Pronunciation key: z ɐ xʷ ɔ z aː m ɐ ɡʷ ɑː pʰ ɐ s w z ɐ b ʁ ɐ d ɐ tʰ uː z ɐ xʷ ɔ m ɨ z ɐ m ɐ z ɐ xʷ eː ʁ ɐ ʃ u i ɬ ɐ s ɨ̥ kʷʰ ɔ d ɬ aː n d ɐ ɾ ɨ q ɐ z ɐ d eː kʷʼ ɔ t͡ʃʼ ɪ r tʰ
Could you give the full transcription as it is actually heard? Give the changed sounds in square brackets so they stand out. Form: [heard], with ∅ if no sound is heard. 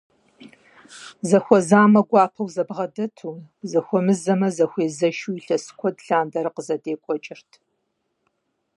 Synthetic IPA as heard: z ɐ xʷ ɔ z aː m ɐ ɡʷ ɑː pʰ ɐ [∅] w z ɐ b ʁ ɐ d ɐ tʰ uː z ɐ xʷ ɔ m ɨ z ɐ m ɐ z ɐ xʷ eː [z] ɐ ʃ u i ɬ ɐ s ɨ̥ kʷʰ ɔ d ɬ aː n d ɐ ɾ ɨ q [ə] z ɐ d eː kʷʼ ɔ t͡ʃʼ ɪ r tʰ